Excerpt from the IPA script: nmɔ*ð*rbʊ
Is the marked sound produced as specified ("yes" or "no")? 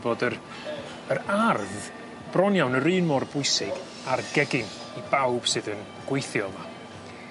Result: no